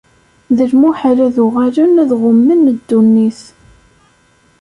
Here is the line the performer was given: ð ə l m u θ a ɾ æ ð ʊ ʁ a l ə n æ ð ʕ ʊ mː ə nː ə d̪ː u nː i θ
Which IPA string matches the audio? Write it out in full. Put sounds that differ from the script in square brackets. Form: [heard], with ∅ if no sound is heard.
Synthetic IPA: ð ə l m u [ħ] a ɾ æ ð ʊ ʁ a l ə n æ ð [ʁ] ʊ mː ə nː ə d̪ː u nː i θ